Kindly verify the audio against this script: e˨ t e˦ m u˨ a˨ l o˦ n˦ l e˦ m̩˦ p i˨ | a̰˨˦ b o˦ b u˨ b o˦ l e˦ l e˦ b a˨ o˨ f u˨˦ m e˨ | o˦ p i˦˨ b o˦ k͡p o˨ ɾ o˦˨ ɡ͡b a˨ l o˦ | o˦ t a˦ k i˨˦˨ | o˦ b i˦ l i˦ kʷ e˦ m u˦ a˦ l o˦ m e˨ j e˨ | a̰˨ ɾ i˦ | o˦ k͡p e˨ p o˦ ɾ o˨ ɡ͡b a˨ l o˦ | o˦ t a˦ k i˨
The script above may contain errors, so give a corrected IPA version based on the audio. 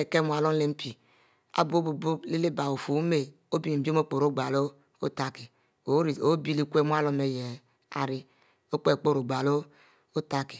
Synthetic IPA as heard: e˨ k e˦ m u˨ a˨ l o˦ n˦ l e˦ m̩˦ p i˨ | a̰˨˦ b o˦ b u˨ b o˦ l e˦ l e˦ b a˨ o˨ f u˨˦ m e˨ | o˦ b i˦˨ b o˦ k͡p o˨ ɾ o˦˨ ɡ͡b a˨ l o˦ | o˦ t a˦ k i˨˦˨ | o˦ b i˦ l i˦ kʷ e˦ m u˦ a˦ l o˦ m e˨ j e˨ | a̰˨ ɾ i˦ | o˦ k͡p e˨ k͡p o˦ ɾ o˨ ɡ͡b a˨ l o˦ | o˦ t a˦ k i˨